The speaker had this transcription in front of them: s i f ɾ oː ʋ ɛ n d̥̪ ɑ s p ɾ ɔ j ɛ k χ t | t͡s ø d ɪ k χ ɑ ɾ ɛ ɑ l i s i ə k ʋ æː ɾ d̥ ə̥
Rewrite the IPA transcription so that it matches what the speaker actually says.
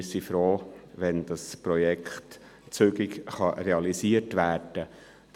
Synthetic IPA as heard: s i f ɾ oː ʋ ɛ n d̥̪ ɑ s p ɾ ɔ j ɛ k χ t | t͡s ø ɡ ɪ k χ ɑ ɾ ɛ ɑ l i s i ə t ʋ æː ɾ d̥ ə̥

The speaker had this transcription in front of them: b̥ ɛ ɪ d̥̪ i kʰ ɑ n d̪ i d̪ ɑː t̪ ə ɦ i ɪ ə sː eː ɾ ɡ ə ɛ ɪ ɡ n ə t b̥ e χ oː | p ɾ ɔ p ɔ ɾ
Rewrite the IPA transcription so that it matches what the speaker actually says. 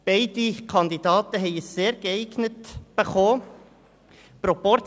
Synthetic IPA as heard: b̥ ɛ ɪ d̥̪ i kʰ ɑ n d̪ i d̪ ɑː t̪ ə ɦ ɛ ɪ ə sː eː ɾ ɡ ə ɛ ɪ ɡ n ə t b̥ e χ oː | p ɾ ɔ p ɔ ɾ

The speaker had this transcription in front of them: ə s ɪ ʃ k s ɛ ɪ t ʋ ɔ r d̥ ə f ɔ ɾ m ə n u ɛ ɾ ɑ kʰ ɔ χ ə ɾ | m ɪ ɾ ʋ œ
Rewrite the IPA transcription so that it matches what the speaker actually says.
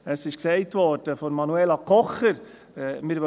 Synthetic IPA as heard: ə s ɪ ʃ k s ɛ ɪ t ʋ ɔ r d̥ ə f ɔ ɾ m ɑ n u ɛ l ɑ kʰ ɔ χ ə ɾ | m ɪ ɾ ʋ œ

